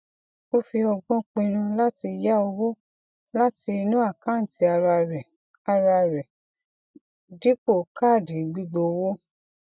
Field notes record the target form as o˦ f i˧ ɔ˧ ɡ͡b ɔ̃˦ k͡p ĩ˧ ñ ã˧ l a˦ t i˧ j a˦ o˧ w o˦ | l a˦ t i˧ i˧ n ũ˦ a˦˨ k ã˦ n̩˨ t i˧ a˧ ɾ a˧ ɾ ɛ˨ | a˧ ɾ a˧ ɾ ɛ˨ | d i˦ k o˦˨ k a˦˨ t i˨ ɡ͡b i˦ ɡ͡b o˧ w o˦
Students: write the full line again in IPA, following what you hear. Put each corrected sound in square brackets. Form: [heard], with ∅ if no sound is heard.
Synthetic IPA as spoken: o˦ f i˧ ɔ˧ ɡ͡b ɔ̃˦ k͡p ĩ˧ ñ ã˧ l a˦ t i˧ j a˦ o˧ w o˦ | l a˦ t i˧ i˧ n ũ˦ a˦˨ k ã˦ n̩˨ t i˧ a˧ ɾ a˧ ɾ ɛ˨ | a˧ ɾ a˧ ɾ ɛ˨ | d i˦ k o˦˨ k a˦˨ [d] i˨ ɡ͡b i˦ ɡ͡b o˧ w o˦